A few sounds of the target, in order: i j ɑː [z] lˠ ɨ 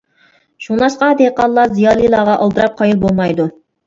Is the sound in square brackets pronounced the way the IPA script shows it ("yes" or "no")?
no